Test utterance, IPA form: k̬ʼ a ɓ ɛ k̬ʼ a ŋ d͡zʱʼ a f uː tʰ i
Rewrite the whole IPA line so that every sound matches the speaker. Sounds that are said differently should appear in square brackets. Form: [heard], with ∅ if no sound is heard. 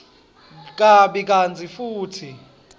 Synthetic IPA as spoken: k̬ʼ a ɓ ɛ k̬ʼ a [n] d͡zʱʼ [i] f uː tʰ i